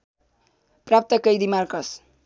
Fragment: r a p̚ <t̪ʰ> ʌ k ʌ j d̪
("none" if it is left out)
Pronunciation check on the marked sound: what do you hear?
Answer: t̪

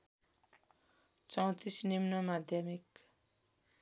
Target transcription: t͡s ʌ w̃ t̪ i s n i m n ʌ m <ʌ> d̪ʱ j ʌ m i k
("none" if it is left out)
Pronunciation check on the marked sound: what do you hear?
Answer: a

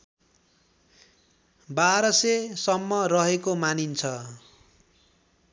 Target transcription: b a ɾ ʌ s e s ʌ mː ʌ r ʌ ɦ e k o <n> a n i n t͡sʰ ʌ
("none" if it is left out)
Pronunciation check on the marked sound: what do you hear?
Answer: m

